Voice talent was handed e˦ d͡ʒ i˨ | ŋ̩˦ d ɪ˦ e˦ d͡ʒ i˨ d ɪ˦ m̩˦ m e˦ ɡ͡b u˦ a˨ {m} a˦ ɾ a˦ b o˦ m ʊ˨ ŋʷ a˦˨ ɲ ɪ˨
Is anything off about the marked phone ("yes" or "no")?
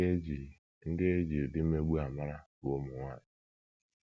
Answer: no